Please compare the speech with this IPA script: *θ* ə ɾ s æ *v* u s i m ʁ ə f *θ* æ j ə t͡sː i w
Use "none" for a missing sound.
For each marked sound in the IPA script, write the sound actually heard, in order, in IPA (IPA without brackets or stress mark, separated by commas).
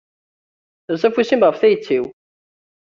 θ, f, θ